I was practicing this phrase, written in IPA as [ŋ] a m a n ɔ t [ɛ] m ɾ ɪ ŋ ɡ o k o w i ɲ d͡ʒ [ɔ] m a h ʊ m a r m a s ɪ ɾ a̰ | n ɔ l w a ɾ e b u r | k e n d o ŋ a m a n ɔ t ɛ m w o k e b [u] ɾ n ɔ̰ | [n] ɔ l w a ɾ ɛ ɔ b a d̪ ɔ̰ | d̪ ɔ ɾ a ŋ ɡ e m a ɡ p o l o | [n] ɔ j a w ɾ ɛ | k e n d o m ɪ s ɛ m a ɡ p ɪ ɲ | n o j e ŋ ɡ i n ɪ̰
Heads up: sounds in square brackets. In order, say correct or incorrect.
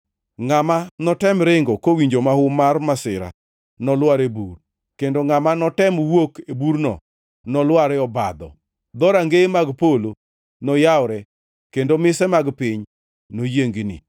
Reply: correct, correct, incorrect, correct, correct, correct

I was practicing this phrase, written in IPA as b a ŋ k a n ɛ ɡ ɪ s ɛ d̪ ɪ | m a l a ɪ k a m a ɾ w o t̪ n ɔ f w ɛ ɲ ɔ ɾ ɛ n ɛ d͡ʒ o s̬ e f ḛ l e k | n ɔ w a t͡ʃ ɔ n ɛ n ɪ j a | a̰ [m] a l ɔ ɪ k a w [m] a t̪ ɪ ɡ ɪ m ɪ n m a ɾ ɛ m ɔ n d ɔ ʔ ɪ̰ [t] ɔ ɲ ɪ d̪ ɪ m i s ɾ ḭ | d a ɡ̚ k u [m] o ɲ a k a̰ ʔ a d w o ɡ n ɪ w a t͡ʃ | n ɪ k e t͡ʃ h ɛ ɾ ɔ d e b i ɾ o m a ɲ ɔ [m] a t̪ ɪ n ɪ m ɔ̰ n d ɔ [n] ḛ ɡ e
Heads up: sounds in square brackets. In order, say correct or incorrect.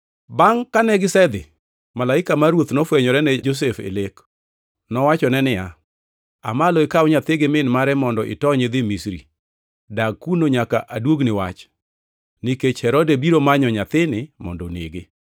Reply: correct, incorrect, correct, incorrect, incorrect, correct

